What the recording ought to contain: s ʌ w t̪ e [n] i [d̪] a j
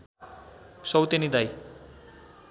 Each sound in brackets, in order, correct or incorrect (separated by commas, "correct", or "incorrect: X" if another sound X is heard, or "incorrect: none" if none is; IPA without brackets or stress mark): correct, correct